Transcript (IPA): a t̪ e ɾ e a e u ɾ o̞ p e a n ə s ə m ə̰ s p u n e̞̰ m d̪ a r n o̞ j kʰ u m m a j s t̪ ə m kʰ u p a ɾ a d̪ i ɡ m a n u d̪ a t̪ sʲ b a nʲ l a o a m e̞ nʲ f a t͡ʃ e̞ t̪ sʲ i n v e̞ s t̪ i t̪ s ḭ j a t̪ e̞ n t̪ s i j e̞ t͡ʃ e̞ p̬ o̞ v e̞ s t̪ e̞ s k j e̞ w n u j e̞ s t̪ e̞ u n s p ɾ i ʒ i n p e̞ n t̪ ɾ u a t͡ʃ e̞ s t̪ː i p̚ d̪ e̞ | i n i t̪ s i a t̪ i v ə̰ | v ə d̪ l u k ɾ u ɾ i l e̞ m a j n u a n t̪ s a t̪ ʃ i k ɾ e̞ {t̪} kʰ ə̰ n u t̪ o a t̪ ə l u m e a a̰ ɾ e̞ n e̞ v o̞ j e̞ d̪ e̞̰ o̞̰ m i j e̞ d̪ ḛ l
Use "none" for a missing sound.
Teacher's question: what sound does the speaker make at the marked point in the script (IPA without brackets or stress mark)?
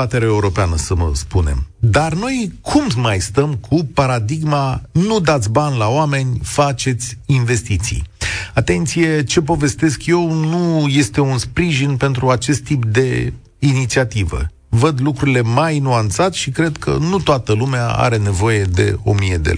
d̪